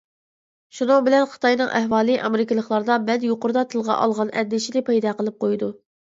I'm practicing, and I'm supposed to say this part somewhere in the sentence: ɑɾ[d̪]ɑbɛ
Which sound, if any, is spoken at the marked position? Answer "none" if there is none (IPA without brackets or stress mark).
d̪